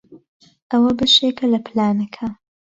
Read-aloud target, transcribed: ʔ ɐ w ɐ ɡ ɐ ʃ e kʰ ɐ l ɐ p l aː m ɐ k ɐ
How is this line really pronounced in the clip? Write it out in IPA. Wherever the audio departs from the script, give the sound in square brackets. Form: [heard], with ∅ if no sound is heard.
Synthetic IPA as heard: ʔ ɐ w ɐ [b] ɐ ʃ e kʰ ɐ l ɐ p l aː [n] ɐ [kʰ] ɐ